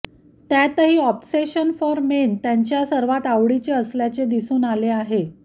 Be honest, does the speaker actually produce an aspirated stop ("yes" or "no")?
no